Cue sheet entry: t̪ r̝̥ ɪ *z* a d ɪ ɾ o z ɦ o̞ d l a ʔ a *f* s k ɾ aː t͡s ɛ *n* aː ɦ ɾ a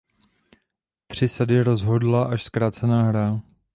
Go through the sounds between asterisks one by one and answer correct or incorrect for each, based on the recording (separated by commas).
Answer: incorrect, incorrect, correct